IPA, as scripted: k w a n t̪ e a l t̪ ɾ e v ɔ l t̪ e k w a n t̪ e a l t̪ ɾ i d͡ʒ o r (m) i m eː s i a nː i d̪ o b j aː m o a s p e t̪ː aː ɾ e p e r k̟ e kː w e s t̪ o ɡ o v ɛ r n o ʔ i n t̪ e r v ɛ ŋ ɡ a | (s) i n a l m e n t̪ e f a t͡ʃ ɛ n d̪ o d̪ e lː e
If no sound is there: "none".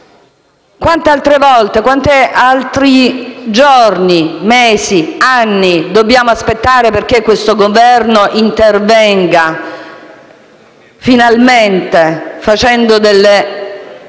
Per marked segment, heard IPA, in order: n, f

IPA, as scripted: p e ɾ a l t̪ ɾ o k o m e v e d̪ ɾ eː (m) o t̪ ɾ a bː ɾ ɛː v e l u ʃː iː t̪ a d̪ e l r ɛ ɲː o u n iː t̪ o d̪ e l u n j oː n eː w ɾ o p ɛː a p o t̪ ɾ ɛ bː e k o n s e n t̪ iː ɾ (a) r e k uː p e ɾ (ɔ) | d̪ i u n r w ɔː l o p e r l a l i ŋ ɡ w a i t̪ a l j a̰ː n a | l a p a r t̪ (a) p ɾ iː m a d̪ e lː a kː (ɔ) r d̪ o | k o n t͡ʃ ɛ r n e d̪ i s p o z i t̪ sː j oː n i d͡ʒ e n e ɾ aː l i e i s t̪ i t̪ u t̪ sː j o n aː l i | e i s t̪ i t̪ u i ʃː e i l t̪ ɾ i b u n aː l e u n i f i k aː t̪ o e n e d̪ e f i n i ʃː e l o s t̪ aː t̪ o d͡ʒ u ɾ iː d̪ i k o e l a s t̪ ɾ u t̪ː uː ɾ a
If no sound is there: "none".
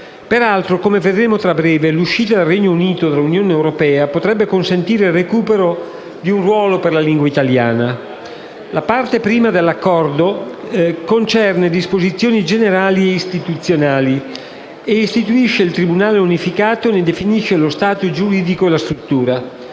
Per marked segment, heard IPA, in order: m, e, o, e, ɔ

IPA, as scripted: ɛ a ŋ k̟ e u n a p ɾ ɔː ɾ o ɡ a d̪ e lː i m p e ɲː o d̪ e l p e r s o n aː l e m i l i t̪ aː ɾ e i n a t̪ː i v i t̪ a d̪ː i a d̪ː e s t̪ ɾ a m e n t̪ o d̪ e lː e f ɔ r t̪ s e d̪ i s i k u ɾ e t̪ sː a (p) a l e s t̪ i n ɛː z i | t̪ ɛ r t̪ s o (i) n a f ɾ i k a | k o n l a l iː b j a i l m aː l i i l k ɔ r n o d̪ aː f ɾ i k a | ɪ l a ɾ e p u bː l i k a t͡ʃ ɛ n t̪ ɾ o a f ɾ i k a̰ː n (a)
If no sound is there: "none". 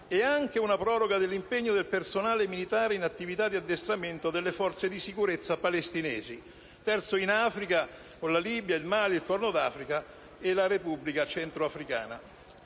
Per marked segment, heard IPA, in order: p, i, a

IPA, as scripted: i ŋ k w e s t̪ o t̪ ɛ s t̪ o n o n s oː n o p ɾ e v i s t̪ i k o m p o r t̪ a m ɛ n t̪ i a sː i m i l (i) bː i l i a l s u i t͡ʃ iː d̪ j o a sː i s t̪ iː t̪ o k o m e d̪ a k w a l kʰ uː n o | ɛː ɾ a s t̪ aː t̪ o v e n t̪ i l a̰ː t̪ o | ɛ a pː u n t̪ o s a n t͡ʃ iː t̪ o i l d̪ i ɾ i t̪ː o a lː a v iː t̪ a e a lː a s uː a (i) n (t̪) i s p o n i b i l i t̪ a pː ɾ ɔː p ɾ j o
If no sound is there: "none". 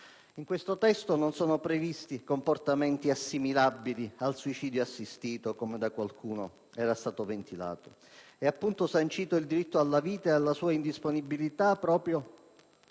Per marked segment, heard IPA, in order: a, i, d̪

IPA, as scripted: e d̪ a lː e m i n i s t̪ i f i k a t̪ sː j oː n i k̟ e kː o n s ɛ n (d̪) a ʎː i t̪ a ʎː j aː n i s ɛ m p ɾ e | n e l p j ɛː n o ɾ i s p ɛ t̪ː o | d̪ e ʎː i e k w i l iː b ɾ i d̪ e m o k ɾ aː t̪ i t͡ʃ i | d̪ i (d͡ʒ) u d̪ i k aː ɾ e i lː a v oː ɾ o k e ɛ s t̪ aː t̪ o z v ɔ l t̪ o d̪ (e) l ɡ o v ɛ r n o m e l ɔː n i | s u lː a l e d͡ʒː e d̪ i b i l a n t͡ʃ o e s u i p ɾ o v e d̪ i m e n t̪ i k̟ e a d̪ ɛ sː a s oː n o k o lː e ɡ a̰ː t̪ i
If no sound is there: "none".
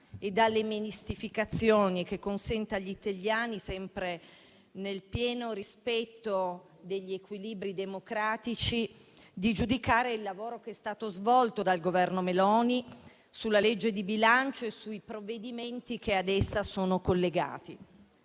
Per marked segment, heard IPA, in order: t̪, d͡ʒ, a

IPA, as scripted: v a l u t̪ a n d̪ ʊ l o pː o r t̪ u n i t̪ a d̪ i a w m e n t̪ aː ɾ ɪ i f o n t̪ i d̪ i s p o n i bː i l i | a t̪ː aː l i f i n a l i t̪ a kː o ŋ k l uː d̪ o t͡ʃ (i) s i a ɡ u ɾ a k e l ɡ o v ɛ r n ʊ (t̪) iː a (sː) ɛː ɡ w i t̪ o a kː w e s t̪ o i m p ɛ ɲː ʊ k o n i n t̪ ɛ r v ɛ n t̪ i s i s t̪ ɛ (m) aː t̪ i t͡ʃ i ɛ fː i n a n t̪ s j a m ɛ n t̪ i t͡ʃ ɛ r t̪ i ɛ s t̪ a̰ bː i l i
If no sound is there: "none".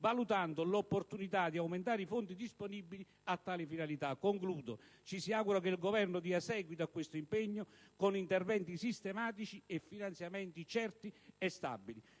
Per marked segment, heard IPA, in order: i, d̪, s, m

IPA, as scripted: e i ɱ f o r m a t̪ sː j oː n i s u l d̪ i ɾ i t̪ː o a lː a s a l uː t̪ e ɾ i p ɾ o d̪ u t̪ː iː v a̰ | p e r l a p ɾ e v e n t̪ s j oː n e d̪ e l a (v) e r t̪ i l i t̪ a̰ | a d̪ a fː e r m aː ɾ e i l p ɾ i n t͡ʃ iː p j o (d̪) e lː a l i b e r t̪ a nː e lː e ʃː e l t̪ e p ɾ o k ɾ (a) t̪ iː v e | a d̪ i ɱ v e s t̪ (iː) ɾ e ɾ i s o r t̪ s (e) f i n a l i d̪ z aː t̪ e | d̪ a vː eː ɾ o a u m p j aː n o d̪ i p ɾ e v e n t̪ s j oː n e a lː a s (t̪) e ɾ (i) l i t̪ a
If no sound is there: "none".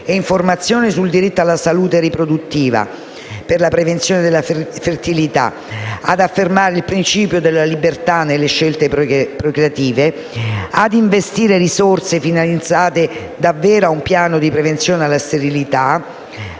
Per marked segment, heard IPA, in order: f, d̪, a, iː, e, t̪, i

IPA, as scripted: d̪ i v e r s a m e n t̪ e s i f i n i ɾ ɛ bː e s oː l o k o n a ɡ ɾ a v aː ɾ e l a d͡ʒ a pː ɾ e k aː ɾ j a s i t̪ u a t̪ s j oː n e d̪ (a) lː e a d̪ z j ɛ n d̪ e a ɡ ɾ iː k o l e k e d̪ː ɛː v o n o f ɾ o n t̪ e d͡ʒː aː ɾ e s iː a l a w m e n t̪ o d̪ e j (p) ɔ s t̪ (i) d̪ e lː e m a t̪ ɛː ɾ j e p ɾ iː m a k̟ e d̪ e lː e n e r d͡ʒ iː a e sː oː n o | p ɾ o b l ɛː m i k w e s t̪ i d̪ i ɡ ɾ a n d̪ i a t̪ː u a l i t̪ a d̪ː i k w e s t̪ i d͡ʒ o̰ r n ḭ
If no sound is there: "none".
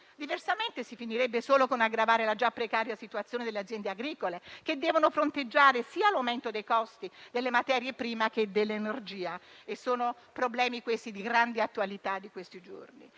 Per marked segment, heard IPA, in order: e, k, i

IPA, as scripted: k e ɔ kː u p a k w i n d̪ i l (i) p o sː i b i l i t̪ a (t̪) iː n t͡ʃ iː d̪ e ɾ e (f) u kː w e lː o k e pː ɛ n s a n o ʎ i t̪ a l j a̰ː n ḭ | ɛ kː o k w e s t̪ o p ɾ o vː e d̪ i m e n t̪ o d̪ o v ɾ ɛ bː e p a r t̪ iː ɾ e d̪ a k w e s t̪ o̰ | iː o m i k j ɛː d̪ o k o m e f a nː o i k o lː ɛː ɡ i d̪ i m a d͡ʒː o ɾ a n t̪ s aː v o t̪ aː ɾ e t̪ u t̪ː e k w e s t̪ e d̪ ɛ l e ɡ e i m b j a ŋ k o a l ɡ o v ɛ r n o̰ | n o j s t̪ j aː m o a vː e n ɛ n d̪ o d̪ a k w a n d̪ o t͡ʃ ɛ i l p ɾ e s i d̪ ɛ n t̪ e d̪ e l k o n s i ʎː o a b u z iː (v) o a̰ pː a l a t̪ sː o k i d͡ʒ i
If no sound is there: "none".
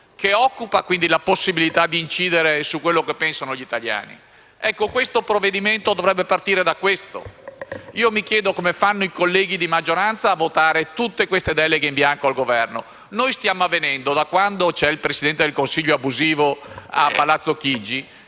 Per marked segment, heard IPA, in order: a, d̪, s, v

